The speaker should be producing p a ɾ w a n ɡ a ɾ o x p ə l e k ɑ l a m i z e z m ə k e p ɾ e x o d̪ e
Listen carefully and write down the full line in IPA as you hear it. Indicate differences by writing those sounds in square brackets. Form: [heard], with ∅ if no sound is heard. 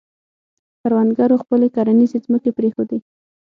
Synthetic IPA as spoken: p a ɾ w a n ɡ a ɾ o x p ə l e k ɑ [ɾ] a [n] i z e z m ə k e p ɾ e x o d̪ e